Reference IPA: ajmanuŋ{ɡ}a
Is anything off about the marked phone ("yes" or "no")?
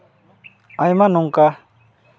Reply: yes